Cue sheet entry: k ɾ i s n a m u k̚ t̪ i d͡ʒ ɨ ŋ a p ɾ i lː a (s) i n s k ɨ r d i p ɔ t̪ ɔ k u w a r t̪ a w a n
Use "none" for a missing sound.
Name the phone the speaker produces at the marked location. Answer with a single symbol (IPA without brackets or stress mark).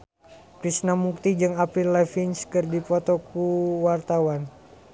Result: f